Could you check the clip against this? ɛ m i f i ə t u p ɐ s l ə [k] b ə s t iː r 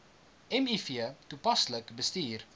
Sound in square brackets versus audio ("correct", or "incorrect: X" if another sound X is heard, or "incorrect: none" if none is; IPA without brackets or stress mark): correct